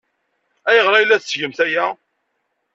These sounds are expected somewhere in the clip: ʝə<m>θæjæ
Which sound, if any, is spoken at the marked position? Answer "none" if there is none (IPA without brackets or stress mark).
m